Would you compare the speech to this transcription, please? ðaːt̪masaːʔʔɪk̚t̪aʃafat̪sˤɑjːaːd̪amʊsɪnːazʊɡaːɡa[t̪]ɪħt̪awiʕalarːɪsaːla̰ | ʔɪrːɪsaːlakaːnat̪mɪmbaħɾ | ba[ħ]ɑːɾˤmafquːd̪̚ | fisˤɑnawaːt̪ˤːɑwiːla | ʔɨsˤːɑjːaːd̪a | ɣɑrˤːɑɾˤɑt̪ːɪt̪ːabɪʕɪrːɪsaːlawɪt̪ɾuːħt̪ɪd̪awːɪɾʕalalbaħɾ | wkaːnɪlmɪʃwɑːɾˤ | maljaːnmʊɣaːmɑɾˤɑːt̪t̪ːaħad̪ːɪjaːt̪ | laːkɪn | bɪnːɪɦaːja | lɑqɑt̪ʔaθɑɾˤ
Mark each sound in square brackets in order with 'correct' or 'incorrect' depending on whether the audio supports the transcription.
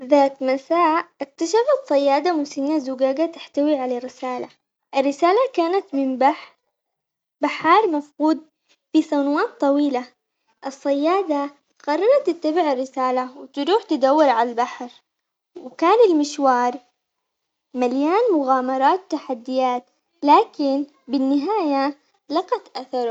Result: correct, correct

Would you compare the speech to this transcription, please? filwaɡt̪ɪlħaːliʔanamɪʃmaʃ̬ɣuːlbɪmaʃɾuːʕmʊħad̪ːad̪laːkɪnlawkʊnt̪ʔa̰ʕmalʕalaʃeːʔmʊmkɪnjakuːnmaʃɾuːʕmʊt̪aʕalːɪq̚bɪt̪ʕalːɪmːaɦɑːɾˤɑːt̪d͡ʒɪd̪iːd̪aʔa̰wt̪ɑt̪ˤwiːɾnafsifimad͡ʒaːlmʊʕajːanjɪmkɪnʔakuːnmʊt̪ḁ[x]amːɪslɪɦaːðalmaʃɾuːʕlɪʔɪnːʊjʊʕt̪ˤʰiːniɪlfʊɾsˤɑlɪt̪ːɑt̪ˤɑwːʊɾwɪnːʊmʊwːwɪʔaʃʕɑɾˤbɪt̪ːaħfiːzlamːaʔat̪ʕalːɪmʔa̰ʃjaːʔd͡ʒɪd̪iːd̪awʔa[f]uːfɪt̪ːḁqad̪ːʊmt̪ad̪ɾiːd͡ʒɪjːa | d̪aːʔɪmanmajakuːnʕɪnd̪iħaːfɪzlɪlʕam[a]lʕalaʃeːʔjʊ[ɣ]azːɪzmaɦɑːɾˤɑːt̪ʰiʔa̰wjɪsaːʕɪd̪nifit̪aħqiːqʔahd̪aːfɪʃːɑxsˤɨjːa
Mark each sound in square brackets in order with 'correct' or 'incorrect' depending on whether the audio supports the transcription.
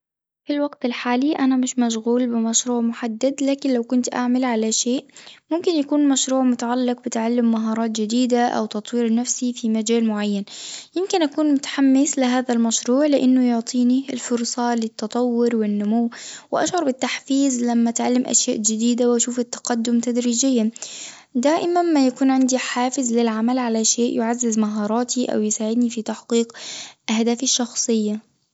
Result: incorrect: ħ, incorrect: ʃ, correct, incorrect: ʕ

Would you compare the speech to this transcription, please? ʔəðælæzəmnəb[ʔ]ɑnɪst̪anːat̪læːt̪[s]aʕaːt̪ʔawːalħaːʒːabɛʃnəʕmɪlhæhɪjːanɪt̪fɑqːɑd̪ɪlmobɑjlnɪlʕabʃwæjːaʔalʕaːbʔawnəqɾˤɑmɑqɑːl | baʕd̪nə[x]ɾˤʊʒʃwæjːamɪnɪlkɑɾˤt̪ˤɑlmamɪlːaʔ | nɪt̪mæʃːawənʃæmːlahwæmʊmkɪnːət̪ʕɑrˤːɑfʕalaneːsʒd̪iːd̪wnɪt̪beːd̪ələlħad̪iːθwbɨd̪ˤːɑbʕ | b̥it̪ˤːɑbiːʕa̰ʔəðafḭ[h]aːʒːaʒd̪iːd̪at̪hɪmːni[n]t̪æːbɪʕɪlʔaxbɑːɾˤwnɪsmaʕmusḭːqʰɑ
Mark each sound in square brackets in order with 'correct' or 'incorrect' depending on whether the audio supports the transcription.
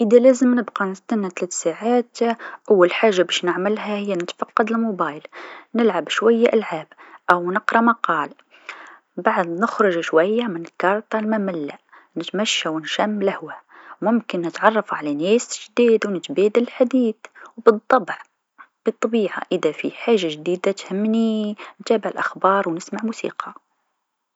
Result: incorrect: q, correct, correct, incorrect: ħ, correct

